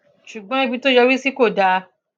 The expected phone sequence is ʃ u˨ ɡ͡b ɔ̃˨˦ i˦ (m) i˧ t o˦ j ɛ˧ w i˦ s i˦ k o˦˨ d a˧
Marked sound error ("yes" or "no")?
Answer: yes